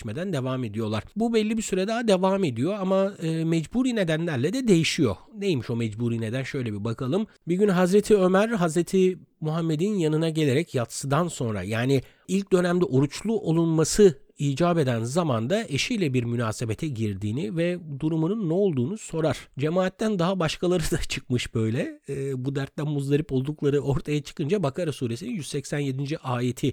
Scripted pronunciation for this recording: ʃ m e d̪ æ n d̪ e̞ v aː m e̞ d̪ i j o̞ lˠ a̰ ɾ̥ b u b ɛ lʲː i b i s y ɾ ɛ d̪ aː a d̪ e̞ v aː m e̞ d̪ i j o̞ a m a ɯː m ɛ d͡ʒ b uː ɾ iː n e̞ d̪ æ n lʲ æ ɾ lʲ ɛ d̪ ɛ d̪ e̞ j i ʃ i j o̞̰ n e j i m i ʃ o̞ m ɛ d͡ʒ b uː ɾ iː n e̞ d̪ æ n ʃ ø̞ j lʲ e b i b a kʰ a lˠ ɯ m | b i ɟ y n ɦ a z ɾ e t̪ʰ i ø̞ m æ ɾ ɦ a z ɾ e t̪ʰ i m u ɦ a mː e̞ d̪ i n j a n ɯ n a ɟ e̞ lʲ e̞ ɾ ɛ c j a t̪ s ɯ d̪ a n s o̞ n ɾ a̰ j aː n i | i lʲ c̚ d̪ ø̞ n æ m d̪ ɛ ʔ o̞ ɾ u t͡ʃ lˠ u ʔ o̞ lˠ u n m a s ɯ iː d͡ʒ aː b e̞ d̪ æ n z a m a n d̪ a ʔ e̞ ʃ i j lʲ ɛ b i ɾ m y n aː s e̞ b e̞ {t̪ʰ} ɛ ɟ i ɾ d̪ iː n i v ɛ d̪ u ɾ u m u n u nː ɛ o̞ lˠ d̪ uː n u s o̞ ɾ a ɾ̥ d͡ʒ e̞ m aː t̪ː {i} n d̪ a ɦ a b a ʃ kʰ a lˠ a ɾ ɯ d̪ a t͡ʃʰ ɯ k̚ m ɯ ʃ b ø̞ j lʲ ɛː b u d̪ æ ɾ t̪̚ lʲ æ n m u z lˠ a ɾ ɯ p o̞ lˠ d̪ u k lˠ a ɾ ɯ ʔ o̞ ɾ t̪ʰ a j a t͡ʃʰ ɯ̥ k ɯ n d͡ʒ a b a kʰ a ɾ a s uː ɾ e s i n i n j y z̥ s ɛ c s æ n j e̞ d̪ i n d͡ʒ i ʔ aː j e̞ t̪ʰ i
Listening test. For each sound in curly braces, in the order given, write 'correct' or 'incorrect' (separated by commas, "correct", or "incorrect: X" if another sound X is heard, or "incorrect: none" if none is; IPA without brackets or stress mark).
correct, incorrect: æ